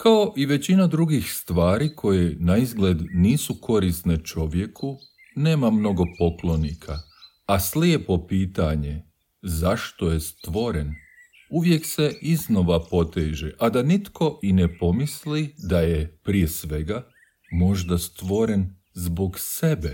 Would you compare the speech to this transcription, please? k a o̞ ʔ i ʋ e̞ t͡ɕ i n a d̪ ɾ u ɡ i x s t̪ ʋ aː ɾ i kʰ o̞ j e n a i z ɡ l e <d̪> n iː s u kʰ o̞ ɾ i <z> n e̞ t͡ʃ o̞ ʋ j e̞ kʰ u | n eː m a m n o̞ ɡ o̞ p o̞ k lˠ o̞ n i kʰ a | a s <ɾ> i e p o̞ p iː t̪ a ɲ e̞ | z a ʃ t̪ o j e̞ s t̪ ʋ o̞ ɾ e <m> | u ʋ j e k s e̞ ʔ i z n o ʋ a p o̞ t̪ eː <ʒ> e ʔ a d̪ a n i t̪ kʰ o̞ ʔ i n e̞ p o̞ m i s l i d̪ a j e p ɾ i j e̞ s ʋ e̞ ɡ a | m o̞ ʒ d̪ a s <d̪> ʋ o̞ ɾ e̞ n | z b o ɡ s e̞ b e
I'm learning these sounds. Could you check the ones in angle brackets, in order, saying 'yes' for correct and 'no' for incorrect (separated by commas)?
yes, no, no, no, yes, no